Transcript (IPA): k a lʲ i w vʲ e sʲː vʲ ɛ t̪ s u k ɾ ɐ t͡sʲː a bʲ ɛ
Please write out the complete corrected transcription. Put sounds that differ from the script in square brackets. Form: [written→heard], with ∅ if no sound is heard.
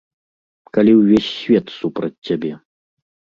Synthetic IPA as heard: k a lʲ i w vʲ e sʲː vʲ ɛ t̪ s u [k→p] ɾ ɐ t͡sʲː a bʲ ɛ